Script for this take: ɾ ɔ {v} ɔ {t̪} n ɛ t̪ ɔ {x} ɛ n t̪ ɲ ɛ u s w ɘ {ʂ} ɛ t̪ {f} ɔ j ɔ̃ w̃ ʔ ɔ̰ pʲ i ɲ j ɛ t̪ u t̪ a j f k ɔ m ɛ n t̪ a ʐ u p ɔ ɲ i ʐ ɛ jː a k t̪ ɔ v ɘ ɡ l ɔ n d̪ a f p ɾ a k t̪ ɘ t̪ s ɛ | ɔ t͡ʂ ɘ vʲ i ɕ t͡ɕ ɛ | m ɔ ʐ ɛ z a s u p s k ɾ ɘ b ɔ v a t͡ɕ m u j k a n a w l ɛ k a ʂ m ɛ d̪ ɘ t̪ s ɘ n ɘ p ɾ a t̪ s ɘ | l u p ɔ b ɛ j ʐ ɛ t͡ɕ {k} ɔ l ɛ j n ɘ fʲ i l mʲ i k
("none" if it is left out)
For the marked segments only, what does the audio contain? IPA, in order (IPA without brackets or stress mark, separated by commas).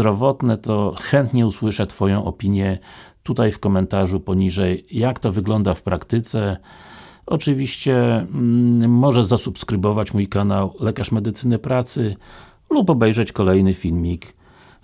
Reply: v, t̪, x, ʂ, f, k